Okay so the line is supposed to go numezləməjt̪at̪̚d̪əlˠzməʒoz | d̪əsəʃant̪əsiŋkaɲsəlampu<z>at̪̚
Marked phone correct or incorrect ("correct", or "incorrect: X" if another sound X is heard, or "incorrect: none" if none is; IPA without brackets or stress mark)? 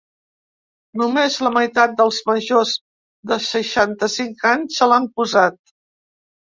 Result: correct